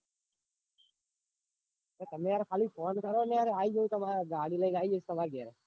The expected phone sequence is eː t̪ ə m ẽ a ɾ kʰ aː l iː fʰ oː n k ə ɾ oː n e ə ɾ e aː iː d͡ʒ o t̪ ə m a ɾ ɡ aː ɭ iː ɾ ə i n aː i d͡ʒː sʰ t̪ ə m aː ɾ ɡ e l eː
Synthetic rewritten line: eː t̪ ə m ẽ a ɾ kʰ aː l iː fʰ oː n k ə ɾ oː n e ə ɾ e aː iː d͡ʒ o t̪ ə m a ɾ ɡ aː ɽ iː l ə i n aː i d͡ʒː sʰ t̪ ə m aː ɾ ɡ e ɾ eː